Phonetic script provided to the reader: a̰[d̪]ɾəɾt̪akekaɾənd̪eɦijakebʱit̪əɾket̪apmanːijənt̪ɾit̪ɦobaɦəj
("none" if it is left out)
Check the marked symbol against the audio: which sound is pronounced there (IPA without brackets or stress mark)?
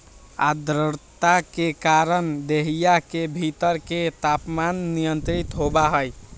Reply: d̪